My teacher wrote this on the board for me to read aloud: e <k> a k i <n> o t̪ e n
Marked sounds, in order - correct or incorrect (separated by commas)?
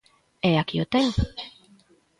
incorrect, incorrect